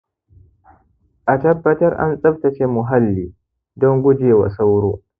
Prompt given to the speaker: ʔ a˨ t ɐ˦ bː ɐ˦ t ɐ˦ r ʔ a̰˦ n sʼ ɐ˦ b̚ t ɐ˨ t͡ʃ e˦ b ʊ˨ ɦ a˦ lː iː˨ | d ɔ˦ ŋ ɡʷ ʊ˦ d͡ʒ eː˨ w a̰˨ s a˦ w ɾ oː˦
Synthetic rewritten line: ʔ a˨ t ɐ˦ bː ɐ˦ t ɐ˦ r ʔ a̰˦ n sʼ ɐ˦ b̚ t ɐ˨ t͡ʃ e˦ m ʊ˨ ɦ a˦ lː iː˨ | d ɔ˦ ŋ ɡʷ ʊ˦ d͡ʒ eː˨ w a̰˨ s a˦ w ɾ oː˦